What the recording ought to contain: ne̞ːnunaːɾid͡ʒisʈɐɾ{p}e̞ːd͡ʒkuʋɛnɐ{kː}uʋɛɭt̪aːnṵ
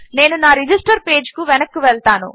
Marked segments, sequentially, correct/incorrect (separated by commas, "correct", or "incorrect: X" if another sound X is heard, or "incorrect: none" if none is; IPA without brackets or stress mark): correct, correct